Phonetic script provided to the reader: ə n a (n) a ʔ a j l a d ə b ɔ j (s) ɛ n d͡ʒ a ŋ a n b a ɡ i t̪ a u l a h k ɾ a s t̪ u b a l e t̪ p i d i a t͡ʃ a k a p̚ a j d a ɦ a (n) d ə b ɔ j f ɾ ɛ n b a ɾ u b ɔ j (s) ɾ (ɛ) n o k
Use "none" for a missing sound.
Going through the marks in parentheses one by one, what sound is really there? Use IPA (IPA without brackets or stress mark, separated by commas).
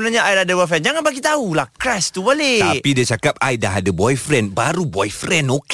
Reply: ɲ, f, none, f, ɛ